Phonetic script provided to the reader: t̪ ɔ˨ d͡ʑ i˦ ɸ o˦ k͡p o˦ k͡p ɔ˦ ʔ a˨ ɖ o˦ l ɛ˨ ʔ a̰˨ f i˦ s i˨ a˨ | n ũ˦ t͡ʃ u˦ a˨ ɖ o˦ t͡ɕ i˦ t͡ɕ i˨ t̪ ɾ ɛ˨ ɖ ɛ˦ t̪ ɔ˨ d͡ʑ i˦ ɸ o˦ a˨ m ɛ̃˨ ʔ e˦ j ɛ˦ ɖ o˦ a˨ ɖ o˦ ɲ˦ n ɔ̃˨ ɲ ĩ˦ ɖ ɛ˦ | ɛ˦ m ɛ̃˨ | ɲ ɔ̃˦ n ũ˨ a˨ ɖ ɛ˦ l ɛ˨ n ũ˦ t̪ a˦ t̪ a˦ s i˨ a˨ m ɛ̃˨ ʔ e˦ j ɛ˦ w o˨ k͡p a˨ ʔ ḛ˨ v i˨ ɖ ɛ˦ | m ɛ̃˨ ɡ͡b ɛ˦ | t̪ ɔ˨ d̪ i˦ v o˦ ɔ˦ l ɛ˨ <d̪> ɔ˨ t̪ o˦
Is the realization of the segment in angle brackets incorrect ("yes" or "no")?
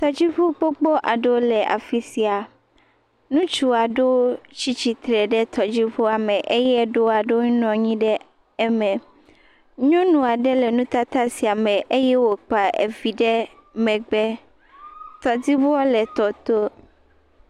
yes